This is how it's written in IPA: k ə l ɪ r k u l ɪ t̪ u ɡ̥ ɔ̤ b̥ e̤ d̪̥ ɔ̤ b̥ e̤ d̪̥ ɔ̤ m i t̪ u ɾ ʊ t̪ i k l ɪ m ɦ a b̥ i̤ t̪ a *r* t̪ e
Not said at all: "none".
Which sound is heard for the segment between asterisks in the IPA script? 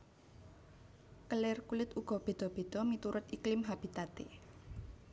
none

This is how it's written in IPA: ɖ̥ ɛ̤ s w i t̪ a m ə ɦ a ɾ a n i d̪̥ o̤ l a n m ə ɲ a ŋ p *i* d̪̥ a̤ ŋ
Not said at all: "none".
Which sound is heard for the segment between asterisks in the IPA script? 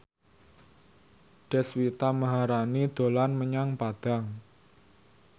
a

